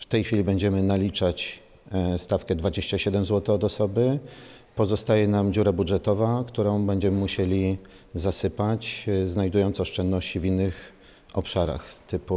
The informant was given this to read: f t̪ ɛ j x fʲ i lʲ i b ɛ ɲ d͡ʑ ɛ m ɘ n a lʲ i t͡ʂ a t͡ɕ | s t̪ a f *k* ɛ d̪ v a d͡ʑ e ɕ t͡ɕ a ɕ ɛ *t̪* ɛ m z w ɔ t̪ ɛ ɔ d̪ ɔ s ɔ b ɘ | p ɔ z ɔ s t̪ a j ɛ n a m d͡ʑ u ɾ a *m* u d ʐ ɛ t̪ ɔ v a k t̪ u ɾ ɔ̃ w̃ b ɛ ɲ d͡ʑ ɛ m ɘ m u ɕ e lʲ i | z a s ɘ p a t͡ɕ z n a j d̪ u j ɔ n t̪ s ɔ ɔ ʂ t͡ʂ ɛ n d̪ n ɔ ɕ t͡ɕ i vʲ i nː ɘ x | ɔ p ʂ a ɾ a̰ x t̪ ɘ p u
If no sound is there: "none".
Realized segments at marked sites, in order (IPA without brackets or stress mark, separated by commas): k, d̪, b